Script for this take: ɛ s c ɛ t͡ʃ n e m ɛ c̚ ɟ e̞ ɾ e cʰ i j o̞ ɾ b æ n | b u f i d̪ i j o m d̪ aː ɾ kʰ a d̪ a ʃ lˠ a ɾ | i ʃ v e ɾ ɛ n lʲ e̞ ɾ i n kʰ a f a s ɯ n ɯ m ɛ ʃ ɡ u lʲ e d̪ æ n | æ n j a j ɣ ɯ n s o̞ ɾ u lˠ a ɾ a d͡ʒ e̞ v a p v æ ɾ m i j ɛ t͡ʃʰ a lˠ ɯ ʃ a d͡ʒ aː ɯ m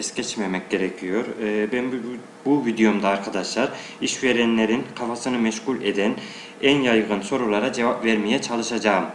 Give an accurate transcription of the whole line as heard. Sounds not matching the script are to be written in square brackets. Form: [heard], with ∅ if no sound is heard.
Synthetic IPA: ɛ s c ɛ t͡ʃ [m] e m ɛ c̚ ɟ e̞ ɾ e cʰ i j o̞ ɾ b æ n | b u [v] i d̪ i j o m d̪ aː ɾ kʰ a d̪ a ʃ lˠ a ɾ | i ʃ v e ɾ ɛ n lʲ e̞ ɾ i n kʰ a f a s ɯ n ɯ m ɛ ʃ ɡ u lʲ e d̪ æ n | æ n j a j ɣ ɯ n s o̞ ɾ u lˠ a ɾ a d͡ʒ e̞ v a p v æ ɾ m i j ɛ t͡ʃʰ a lˠ ɯ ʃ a d͡ʒ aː ɯ m